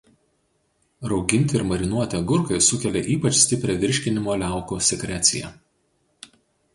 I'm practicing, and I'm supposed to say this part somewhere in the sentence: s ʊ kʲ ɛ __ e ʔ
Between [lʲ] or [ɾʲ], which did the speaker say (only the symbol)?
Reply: lʲ